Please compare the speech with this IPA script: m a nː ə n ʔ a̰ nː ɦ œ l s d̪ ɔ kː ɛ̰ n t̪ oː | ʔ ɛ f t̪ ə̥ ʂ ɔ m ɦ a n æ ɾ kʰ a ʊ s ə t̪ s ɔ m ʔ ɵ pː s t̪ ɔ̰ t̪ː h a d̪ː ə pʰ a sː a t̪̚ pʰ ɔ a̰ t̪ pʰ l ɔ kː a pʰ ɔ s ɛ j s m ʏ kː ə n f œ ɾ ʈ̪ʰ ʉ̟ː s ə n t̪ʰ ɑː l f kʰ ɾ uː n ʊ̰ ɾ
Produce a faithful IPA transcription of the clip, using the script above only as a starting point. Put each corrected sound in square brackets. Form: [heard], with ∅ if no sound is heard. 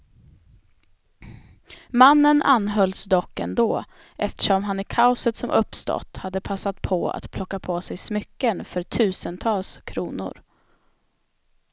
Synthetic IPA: m a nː ə n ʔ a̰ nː ɦ œ l s d̪ ɔ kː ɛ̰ n [d̪] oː | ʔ ɛ f t̪ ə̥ ʂ ɔ m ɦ a n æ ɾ kʰ a ʊ s ə t̪ s ɔ m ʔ ɵ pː s t̪ ɔ̰ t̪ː h a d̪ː ə pʰ a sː a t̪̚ pʰ ɔ a̰ t̪ pʰ l ɔ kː a pʰ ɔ s ɛ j s m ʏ kː ə n f œ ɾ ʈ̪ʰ ʉ̟ː s ə n t̪ʰ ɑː l [s] kʰ ɾ uː n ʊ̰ ɾ